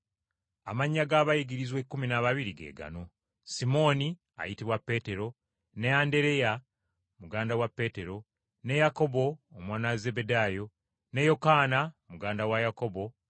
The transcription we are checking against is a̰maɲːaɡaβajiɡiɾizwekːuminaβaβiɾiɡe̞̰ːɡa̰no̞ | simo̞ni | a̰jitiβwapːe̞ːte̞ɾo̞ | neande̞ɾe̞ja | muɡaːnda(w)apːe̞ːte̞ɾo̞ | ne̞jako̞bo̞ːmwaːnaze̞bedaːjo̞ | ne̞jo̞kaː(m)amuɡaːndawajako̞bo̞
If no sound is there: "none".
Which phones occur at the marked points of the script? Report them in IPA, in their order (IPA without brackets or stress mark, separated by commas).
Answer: w, n